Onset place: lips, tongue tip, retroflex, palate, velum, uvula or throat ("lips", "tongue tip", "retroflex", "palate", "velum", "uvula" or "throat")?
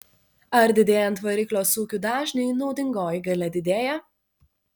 tongue tip